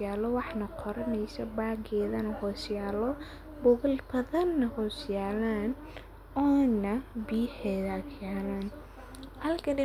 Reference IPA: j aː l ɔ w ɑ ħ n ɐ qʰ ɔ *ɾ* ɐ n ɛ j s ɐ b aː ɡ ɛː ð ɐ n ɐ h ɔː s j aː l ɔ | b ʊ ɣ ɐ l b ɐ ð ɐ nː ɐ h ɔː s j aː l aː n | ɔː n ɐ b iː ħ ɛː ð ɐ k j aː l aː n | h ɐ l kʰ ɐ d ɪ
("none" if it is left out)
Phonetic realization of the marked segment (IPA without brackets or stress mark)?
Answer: ɾ